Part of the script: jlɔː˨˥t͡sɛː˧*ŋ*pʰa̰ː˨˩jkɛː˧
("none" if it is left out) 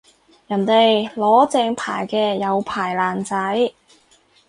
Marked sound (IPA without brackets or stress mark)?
ŋ